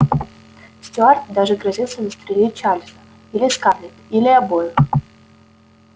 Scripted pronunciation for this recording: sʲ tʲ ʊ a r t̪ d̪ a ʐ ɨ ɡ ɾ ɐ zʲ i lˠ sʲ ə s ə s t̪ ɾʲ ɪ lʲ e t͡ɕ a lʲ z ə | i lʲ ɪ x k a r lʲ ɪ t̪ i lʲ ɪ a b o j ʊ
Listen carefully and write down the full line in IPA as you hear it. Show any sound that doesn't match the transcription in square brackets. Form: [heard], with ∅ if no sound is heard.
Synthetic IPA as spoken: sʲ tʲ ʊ a r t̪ d̪ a ʐ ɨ ɡ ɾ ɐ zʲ i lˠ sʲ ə [z] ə s t̪ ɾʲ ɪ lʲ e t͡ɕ a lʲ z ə | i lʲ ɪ [s] k a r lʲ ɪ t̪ i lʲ ɪ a b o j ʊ